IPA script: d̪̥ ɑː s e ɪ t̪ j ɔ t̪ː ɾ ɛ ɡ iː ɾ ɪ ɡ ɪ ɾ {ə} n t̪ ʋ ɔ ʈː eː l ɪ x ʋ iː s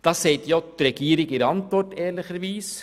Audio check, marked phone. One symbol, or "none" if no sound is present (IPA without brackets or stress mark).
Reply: ɑ